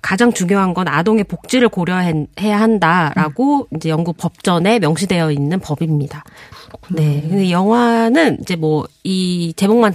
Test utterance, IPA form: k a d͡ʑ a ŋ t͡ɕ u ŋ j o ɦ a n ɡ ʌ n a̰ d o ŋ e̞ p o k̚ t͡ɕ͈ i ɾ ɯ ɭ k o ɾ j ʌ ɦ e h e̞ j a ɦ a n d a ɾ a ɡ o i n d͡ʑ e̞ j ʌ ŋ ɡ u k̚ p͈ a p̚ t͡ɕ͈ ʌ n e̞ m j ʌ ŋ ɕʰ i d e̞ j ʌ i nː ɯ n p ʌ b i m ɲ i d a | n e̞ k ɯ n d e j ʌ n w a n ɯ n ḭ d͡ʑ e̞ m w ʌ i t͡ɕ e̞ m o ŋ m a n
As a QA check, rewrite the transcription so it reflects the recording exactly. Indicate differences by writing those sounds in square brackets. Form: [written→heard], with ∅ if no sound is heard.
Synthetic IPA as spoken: k a d͡ʑ a ŋ t͡ɕ u ŋ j o ɦ a n ɡ ʌ n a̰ d o ŋ e̞ p o k̚ t͡ɕ͈ i ɾ ɯ ɭ k o ɾ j ʌ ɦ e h e̞ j a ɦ a n d a ɾ a ɡ o i n d͡ʑ e̞ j ʌ ŋ ɡ u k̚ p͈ [a→ʌ] p̚ t͡ɕ͈ ʌ n e̞ m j ʌ ŋ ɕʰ i d e̞ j ʌ i nː ɯ n p ʌ b i m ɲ i d a | n e̞ k ɯ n d e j ʌ [n→ŋ] w a n ɯ n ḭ d͡ʑ e̞ m w ʌ i t͡ɕ e̞ m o ŋ m a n